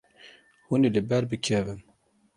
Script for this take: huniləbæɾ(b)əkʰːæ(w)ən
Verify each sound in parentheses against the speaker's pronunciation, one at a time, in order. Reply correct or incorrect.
correct, incorrect

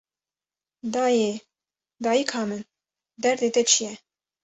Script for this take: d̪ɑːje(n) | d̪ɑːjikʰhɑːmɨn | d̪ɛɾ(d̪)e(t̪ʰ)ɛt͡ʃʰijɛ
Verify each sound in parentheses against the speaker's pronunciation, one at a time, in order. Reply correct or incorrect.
incorrect, correct, incorrect

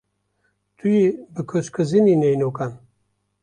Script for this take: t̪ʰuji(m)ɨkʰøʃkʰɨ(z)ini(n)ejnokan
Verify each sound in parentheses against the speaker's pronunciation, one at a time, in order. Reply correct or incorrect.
incorrect, correct, correct

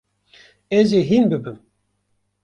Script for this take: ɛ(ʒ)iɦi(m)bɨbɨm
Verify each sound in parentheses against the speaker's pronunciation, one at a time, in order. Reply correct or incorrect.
incorrect, incorrect

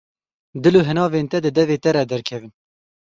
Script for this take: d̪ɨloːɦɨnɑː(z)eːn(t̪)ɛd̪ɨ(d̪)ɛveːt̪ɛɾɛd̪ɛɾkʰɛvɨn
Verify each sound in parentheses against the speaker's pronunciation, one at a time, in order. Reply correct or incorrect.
incorrect, correct, correct

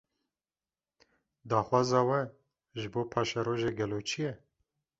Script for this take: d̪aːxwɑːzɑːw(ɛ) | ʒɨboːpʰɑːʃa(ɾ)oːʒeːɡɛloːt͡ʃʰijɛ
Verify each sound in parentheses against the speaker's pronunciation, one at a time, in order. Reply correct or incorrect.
correct, correct

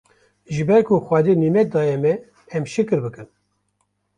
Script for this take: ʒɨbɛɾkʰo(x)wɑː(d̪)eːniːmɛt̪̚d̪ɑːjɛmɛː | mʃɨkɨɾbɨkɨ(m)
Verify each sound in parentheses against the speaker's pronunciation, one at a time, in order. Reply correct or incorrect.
correct, correct, incorrect

